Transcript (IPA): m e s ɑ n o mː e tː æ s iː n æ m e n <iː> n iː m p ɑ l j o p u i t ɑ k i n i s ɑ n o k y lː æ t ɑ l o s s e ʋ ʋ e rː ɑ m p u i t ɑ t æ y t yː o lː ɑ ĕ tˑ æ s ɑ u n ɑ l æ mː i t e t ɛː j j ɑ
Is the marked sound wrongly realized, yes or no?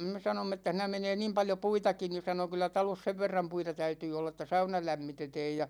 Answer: yes